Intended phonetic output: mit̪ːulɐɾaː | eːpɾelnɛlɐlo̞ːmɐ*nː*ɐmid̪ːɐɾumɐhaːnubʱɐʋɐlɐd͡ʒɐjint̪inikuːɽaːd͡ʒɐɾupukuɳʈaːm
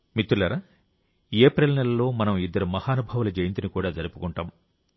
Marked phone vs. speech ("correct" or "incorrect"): incorrect